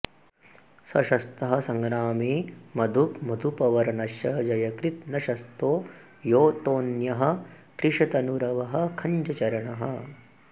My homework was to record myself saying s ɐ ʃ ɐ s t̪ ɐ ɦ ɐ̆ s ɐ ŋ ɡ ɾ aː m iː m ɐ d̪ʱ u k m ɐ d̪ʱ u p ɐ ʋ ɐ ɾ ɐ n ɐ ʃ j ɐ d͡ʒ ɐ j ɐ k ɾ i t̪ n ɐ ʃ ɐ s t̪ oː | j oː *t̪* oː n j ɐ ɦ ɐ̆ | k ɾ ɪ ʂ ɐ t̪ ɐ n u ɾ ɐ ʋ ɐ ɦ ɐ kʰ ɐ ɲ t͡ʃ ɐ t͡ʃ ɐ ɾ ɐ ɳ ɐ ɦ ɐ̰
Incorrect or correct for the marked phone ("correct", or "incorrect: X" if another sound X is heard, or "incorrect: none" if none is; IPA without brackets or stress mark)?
correct